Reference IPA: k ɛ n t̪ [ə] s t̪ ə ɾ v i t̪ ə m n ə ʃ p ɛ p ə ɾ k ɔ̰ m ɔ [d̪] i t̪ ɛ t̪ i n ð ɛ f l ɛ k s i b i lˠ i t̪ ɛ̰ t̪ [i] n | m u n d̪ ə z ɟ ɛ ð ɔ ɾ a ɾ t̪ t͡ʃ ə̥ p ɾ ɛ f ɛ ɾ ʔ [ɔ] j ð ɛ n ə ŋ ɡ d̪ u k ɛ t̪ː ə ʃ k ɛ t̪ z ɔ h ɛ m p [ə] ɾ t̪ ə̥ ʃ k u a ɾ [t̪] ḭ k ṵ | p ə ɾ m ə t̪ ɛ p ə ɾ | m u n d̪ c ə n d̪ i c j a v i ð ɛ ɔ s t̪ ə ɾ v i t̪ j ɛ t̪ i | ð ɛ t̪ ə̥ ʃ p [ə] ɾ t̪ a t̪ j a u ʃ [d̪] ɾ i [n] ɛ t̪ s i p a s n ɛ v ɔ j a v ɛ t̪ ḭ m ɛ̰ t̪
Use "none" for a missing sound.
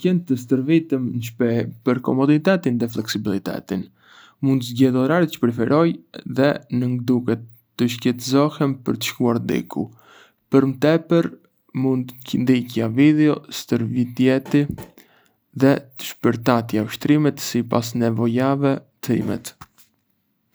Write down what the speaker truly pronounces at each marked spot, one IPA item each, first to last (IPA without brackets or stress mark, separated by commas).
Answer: ə, d̪, i, ɔ, ə, d̪, ə, t̪, m